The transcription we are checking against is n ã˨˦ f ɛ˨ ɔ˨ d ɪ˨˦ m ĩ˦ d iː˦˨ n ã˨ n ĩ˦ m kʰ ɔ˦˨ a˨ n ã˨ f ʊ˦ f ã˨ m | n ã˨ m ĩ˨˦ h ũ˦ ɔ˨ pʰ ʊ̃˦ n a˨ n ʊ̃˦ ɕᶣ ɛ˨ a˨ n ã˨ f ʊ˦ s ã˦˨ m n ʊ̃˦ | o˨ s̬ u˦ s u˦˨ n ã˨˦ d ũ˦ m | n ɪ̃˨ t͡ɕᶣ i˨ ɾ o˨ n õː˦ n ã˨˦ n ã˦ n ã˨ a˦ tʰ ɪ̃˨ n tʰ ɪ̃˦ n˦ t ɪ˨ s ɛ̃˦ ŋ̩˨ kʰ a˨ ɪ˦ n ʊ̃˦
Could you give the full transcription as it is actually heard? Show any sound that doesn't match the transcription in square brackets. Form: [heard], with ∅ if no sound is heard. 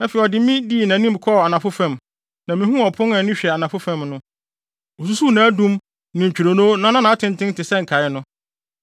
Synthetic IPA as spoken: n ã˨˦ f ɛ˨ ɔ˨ d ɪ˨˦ m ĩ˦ d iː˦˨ n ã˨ n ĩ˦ m kʰ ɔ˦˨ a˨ n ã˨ f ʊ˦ f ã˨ m | n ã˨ m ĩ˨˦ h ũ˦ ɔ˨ pʰ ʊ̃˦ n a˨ n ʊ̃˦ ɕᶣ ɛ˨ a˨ n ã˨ f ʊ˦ [f] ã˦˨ m n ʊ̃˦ | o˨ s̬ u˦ s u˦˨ n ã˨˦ d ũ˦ m | n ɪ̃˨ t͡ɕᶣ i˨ ɾ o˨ n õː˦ n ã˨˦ n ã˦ n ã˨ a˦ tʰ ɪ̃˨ n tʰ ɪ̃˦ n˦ t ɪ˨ s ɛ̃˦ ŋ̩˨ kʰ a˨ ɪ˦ n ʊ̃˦